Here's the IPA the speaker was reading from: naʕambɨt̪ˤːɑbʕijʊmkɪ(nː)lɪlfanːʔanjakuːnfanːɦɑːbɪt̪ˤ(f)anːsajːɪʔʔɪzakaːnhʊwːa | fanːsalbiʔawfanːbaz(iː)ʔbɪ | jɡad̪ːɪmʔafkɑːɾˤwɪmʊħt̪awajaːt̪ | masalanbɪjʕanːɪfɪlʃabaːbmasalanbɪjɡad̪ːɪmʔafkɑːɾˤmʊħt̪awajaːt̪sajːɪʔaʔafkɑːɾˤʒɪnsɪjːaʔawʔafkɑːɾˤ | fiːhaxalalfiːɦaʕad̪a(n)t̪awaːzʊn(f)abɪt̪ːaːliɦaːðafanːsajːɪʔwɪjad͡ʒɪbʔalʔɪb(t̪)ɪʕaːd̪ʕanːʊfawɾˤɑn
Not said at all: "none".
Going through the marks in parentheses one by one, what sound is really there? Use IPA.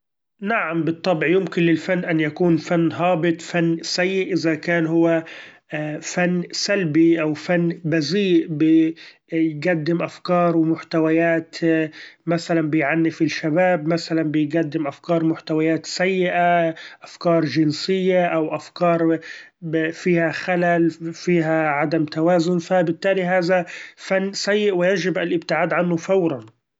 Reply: n, f, iː, m, f, t̪

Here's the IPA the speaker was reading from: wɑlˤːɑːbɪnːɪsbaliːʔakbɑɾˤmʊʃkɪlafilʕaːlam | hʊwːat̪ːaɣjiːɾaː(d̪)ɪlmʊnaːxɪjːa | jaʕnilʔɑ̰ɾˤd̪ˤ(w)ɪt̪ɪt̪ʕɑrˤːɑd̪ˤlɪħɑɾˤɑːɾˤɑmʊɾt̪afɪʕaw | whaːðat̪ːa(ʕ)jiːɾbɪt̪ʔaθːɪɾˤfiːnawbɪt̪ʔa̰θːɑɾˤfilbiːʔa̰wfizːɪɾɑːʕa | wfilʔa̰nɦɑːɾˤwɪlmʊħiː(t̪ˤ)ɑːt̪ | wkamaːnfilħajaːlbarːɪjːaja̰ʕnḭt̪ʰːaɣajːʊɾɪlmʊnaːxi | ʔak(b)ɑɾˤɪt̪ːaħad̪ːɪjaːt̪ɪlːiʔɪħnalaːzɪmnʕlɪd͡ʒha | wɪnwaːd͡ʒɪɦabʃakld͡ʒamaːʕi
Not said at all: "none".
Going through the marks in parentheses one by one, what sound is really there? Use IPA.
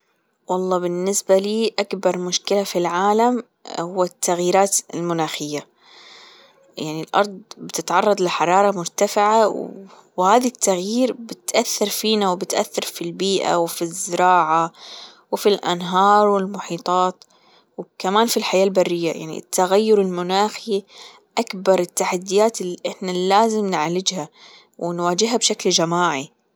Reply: t̪, b, ɣ, t̪ˤ, b

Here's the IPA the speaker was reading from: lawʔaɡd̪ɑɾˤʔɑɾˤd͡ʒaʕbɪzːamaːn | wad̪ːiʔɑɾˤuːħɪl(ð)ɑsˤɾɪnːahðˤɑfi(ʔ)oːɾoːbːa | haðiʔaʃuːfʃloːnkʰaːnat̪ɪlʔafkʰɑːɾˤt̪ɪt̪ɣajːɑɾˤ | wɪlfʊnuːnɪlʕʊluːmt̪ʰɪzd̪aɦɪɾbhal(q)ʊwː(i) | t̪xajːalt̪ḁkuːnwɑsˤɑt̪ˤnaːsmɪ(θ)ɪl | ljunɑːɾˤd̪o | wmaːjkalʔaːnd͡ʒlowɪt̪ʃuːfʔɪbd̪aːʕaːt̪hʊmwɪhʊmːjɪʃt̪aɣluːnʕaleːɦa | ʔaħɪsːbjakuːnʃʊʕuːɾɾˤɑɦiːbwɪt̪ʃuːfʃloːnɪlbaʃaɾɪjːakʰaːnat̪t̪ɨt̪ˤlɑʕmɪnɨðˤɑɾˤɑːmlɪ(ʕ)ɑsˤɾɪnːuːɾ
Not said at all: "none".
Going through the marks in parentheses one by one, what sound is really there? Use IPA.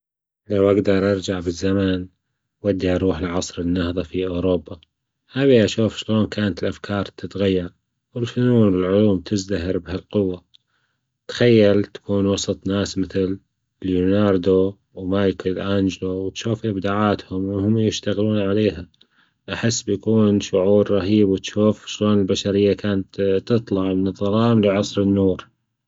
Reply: ʕ, ʔ, q, a, θ, ʕ

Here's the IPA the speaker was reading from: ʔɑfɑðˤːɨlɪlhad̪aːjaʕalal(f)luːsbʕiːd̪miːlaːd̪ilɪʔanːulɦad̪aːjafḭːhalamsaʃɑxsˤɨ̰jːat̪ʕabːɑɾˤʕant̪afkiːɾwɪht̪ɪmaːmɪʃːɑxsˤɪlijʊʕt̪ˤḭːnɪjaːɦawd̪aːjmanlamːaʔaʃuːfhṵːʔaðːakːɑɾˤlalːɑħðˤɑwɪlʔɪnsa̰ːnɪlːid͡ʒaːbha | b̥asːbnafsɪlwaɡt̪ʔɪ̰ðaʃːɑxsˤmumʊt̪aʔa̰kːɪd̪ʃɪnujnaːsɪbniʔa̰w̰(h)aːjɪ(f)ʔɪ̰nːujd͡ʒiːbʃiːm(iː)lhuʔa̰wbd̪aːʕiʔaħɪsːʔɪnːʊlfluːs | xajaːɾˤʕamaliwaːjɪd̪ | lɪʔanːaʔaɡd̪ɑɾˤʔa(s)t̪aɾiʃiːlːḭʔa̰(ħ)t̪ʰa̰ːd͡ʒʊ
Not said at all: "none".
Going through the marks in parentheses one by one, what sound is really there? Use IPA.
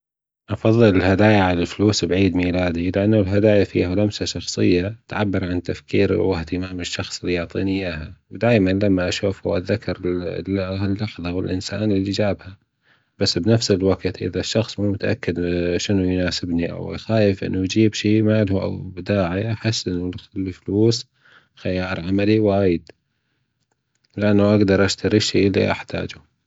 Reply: f, x, f, aː, ʃ, ħ

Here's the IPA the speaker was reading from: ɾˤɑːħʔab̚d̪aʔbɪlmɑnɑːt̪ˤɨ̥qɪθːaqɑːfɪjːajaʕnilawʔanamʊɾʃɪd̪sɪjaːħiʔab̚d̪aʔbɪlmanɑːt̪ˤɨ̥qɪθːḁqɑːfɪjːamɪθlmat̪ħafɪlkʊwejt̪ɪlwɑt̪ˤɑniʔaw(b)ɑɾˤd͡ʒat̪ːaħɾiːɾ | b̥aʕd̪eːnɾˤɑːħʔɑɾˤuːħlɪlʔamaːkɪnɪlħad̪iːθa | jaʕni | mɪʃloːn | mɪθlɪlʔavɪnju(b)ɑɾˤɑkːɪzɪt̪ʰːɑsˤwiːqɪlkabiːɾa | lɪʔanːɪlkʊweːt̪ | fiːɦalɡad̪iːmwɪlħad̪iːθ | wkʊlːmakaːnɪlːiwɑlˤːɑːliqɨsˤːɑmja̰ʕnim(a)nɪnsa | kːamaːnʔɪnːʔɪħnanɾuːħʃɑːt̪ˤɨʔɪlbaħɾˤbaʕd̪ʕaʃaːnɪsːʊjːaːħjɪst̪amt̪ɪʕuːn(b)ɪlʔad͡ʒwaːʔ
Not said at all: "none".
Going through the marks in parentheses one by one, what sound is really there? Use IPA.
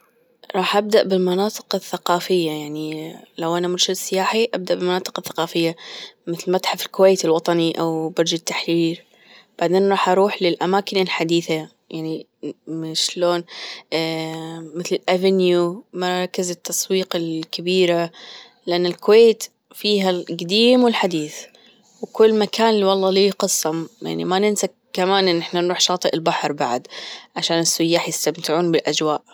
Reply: b, m, a, b

